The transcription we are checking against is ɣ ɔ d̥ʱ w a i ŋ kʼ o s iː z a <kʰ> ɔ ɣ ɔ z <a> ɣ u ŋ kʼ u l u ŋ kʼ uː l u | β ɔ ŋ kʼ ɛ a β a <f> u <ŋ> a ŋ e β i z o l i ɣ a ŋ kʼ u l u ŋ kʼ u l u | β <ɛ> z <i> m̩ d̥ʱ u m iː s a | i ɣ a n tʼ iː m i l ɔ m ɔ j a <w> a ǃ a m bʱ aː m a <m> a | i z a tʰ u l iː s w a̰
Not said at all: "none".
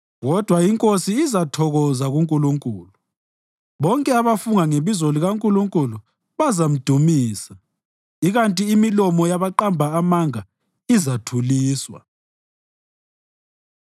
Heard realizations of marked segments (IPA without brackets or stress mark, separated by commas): tʰ, a, f, ŋ, a, a, β, ŋ